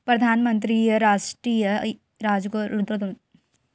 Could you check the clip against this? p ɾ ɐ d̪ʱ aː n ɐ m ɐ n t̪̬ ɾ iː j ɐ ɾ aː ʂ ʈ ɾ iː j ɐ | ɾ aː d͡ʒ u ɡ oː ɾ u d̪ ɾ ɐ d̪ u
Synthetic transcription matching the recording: p ɾ ɐ d̪ʱ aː n ɐ m ɐ n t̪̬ ɾ iː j ɐ ɾ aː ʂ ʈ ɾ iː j ɐ | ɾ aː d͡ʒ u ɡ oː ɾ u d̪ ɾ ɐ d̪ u